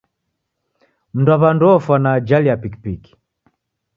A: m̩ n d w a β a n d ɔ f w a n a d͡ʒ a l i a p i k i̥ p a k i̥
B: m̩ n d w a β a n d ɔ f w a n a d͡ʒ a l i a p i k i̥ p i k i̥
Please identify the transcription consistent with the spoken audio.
B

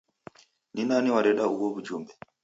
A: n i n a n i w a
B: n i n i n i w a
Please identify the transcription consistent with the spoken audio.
A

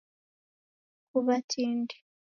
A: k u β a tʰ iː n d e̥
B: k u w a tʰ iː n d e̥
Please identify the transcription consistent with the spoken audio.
A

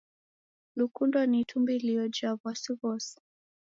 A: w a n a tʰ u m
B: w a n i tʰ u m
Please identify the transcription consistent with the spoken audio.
B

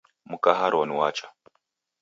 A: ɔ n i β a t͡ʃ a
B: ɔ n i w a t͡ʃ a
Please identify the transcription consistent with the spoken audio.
B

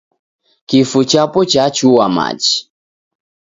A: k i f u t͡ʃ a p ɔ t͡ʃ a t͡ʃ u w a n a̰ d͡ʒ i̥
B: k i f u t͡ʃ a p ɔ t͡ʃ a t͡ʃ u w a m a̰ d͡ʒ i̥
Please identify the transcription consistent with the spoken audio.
B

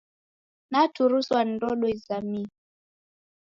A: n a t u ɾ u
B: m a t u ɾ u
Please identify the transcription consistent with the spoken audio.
A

